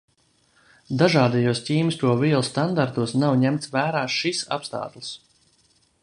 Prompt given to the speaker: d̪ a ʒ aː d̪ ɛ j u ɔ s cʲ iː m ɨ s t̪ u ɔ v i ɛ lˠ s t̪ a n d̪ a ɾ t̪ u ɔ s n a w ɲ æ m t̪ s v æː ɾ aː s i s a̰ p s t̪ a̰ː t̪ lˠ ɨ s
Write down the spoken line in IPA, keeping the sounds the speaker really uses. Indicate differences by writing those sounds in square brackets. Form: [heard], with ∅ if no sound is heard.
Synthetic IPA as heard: d̪ a ʒ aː d̪ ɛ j u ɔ s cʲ iː m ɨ s t̪ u ɔ v i ɛ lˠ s t̪ a n d̪ a ɾ t̪ u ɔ s n a w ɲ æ m t̪ s v æː ɾ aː [ʃ] i s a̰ p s t̪ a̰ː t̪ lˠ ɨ s